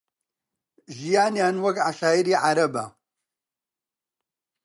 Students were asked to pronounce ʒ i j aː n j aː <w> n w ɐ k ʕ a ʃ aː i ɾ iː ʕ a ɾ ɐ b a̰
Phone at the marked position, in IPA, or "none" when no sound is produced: none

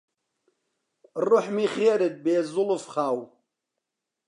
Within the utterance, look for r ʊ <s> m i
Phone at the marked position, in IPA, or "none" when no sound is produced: ħ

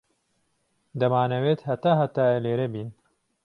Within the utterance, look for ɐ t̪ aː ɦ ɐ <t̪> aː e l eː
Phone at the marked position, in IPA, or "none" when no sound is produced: t̪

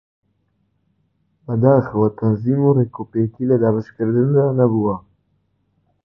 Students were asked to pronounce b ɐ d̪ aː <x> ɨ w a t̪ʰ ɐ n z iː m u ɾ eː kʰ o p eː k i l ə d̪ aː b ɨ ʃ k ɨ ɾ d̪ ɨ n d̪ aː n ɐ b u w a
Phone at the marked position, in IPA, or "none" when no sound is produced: x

